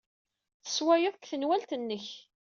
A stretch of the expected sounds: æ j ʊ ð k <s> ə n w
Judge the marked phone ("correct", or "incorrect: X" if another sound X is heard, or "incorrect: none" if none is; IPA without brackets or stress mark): incorrect: θ